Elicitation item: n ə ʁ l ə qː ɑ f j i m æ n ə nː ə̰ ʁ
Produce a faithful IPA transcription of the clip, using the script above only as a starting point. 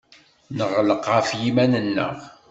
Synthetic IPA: n ə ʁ l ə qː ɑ f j i m æ n ə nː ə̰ ʁ